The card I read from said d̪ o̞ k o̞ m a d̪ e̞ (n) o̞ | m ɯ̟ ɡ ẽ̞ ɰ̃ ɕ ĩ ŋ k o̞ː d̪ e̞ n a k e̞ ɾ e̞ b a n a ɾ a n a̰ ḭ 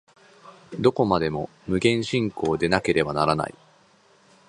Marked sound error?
yes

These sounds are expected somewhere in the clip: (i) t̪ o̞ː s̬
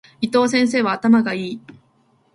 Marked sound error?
no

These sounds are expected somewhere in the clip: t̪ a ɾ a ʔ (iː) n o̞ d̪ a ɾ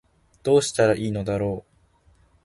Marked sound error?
no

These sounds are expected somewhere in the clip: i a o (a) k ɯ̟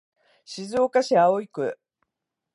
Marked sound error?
yes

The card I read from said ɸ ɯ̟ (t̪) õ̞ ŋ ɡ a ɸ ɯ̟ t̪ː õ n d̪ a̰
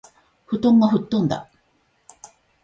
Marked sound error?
no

